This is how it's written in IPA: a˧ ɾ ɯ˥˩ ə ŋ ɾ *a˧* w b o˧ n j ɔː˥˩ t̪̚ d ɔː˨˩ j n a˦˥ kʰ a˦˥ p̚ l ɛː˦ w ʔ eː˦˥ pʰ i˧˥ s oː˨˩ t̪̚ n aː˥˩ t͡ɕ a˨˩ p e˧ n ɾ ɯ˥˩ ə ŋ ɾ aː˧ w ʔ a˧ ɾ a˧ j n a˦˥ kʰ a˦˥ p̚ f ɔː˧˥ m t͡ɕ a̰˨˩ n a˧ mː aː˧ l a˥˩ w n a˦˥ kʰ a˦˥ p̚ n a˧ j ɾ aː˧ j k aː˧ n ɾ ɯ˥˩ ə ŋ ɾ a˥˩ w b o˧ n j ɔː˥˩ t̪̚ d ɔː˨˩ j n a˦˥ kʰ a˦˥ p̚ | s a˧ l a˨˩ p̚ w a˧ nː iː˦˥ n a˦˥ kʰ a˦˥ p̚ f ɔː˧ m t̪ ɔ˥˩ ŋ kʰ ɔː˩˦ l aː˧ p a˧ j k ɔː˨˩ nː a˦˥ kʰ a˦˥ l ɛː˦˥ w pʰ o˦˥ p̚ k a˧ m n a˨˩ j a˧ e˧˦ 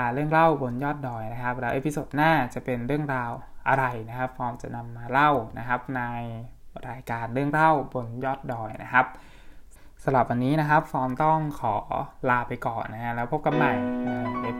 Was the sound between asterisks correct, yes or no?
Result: no